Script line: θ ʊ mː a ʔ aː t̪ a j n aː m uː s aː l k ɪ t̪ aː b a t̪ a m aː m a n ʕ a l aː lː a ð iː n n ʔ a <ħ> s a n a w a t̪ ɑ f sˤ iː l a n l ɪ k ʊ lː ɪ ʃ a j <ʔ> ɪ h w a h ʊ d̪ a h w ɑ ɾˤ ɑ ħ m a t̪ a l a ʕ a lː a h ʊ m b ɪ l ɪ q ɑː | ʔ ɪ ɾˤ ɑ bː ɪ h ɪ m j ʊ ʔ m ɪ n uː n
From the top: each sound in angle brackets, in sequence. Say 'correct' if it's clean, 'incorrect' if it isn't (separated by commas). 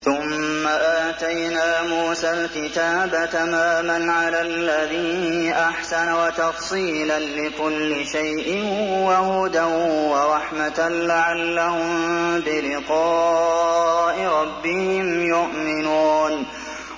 correct, correct